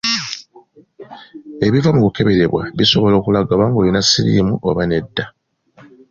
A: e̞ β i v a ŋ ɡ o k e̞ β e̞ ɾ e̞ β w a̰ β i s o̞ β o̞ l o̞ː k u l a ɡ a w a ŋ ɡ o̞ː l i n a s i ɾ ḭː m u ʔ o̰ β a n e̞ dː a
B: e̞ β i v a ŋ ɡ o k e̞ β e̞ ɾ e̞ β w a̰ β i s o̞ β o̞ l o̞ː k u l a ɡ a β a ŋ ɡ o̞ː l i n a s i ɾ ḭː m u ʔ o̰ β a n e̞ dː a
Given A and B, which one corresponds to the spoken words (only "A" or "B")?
B